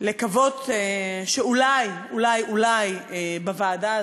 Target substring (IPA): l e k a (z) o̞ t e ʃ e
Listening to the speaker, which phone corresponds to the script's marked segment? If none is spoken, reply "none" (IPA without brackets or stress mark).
v